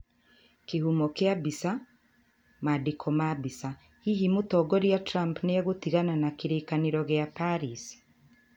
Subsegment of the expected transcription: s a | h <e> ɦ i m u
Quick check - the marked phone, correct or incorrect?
incorrect